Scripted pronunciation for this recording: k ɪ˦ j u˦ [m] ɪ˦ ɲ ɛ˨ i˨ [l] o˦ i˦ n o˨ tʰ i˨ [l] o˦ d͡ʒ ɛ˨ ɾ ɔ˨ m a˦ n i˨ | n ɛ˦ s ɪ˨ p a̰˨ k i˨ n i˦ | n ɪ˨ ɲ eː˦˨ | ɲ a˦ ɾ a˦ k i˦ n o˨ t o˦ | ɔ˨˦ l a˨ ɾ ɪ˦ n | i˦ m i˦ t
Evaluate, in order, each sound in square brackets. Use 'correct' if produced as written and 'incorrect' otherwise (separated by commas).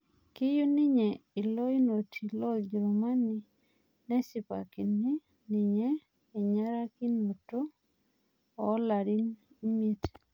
incorrect, correct, correct